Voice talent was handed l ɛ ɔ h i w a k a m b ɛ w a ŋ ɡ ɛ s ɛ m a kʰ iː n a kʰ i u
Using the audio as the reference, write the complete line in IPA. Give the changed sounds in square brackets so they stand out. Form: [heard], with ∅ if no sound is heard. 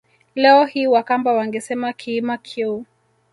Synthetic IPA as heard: l ɛ ɔ h i w a k a m b [a] w a ŋ ɡ ɛ s ɛ m a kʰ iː [m] a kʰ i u